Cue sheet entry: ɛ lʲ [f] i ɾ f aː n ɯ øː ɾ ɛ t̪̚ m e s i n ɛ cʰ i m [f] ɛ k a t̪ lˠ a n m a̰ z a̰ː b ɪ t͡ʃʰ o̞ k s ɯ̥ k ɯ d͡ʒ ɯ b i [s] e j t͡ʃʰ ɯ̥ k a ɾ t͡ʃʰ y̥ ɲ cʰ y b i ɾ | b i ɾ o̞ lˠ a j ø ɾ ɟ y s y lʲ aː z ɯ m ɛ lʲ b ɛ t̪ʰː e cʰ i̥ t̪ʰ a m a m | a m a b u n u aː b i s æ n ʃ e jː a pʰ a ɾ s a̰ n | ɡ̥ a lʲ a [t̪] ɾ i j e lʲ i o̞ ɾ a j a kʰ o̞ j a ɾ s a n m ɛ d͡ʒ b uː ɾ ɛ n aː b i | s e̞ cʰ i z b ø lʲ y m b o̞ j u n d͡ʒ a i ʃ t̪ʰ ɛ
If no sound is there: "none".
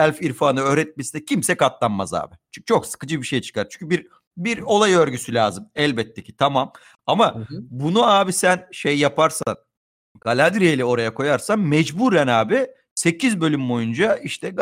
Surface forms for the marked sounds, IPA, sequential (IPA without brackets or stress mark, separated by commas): f, s, ʃ, d̪